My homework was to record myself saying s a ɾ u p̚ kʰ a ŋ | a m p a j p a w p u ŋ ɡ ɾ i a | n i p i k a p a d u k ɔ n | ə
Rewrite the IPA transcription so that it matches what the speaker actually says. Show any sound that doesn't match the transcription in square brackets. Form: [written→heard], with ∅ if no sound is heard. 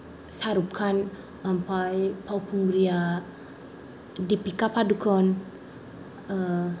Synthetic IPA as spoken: s a ɾ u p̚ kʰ a [ŋ→n] | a m p a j p a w p u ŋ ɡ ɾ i a | [n→d] i p i k a p a d u k ɔ n | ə

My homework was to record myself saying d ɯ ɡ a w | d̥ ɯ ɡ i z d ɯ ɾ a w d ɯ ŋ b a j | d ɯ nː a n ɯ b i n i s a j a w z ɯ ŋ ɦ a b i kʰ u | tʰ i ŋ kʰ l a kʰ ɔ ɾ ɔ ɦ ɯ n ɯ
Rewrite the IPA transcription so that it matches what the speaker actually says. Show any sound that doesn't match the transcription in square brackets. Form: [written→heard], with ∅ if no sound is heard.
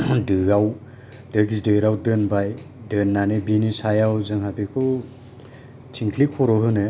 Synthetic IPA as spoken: d ɯ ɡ a w | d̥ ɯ ɡ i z d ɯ ɾ a w d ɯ [ŋ→n] b a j | d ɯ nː a n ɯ b i n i s a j a w z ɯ ŋ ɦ a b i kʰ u | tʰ i ŋ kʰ l [a→i] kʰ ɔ ɾ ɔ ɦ ɯ n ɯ

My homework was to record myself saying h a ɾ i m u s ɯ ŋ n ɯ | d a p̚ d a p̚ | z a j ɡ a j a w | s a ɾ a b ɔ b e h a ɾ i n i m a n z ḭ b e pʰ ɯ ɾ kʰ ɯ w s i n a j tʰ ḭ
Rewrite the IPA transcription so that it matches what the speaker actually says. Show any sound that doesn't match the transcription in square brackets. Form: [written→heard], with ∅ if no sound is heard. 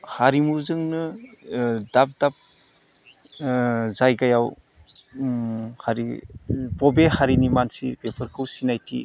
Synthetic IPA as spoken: h a ɾ i m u [s→z] ɯ ŋ n ɯ | d a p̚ d a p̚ | z a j ɡ a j a w | [s→h] a ɾ [a→i] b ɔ b e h a ɾ i n i m a n [z→s] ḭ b e pʰ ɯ ɾ kʰ ɯ w s i n a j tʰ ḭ

